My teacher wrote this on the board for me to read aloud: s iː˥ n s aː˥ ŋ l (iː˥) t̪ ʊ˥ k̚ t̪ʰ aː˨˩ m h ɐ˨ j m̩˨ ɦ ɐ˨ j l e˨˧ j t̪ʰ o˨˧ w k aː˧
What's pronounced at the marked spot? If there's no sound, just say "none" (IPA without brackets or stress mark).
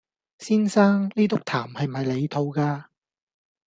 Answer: iː˥